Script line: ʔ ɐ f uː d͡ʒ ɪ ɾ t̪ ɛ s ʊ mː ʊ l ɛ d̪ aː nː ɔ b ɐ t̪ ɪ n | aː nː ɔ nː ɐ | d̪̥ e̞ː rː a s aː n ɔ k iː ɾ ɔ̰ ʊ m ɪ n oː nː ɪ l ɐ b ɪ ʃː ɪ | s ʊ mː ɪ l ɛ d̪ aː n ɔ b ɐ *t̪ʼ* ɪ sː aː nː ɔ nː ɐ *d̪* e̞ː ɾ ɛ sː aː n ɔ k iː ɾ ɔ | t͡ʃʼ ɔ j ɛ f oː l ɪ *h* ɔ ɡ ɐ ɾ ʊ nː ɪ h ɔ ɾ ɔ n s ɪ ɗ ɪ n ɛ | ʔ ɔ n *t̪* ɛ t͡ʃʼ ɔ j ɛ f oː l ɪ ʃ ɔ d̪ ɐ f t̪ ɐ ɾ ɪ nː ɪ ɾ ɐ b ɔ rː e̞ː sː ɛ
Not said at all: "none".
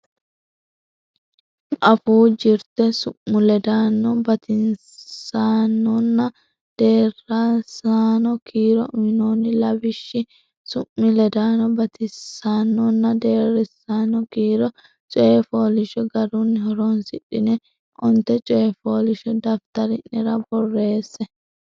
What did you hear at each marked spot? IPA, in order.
t̪, d̪, ʃ, t̪

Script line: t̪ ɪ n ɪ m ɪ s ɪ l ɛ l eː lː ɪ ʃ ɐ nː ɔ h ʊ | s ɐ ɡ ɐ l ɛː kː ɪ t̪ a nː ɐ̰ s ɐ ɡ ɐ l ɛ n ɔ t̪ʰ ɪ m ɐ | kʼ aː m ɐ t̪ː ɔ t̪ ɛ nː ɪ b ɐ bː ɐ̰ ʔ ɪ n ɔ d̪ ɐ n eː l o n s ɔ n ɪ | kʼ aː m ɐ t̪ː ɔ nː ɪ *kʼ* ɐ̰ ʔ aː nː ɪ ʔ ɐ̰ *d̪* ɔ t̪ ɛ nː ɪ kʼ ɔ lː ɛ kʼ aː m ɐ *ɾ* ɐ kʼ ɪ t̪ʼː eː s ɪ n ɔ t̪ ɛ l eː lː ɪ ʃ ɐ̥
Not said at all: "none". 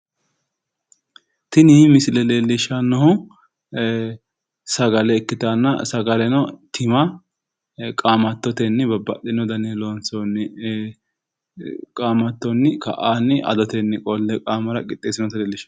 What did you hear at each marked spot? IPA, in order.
k, d̪, ɾ

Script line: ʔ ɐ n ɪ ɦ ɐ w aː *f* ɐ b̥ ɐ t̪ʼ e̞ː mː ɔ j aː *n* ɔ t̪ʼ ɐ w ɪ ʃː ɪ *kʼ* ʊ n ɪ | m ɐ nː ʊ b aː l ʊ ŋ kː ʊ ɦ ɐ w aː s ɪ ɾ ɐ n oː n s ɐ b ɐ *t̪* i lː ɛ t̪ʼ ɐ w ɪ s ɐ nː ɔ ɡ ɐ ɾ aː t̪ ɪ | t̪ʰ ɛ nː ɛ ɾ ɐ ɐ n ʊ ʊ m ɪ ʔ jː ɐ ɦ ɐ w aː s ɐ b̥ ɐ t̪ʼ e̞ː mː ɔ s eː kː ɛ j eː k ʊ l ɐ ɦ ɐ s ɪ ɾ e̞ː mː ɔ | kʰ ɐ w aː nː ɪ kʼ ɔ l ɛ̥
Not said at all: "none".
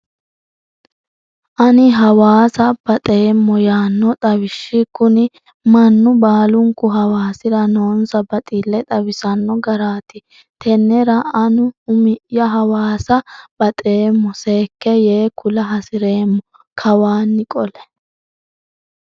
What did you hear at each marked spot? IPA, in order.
s, nː, k, t̪ʼ

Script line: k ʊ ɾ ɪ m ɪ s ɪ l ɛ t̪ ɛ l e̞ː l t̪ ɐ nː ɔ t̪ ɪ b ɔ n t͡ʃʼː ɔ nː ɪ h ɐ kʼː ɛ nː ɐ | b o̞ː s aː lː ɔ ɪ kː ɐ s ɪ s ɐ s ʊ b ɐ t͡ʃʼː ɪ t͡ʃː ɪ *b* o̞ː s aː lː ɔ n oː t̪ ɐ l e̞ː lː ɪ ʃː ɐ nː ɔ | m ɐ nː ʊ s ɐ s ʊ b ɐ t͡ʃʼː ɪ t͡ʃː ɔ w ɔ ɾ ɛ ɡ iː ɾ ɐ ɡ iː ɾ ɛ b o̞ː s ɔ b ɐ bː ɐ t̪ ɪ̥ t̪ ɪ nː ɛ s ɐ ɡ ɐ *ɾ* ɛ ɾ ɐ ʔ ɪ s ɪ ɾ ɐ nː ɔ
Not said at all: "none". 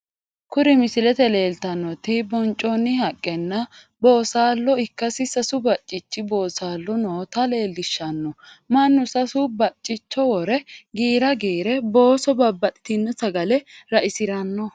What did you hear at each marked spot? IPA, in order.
b, l

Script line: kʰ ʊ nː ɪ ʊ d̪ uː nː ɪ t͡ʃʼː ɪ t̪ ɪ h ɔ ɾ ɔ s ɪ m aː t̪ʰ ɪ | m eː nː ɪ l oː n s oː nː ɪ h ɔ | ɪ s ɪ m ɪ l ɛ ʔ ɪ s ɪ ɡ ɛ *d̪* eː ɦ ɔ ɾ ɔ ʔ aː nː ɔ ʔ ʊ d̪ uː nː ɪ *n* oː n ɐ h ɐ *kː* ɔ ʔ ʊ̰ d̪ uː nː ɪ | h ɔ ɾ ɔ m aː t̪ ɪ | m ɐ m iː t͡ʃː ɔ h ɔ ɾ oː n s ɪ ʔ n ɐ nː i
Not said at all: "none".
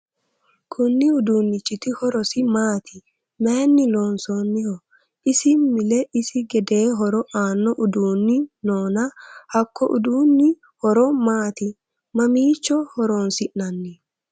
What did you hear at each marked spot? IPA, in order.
d̪, n, kː

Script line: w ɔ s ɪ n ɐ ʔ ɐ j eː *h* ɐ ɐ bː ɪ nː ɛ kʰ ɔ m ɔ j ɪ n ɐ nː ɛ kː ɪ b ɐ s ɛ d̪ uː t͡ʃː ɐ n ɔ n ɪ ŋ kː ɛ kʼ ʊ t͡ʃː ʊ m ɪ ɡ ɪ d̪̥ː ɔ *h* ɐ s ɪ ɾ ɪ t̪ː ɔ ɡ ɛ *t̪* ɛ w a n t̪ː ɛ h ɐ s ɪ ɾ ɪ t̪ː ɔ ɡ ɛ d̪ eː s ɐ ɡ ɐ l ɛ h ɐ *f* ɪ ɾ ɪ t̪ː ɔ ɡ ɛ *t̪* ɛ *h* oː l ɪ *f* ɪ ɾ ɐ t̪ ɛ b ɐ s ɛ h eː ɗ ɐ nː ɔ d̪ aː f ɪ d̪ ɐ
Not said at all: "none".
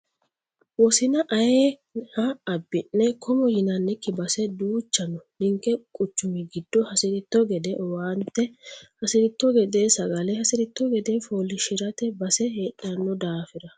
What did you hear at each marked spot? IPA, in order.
h, h, d̪, s, d̪, f, ʃ

